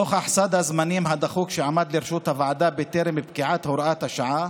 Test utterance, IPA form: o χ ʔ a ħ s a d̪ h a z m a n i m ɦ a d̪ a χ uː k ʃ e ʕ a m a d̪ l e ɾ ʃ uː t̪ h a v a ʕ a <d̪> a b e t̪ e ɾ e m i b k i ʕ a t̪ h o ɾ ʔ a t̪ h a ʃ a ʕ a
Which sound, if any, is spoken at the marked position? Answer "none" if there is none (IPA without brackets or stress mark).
d̪